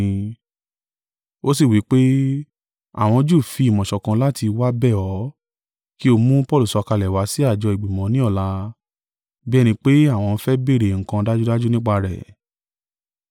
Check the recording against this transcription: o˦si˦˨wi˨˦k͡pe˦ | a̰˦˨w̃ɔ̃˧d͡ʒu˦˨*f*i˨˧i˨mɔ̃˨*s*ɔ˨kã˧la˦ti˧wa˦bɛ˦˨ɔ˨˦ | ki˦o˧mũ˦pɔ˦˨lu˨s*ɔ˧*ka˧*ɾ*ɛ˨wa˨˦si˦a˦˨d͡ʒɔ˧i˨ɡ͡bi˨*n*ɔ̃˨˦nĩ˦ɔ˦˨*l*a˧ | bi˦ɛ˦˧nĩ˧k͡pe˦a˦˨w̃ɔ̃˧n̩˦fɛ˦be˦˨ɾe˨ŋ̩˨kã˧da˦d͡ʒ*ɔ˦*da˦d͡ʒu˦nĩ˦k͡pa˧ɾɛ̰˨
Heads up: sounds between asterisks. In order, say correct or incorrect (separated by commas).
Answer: correct, incorrect, correct, incorrect, incorrect, correct, incorrect